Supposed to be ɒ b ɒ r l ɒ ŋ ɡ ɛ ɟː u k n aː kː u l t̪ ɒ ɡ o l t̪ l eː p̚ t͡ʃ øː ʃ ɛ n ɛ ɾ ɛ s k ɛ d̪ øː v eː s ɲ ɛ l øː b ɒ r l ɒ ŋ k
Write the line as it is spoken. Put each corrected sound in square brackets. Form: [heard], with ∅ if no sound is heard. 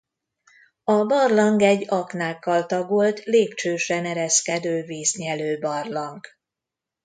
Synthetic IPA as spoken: ɒ b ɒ r l ɒ ŋ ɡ ɛ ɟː [ɒ] k n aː kː [ɒ] l t̪ ɒ ɡ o l t̪ l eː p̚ t͡ʃ øː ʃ ɛ n ɛ ɾ ɛ s k ɛ d̪ øː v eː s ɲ ɛ l øː b ɒ r l ɒ ŋ k